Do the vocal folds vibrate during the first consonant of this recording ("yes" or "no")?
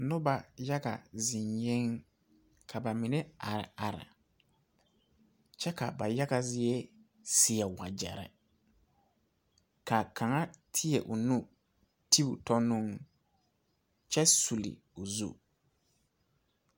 yes